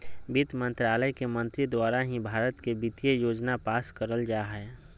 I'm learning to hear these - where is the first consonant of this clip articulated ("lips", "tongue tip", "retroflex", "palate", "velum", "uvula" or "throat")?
lips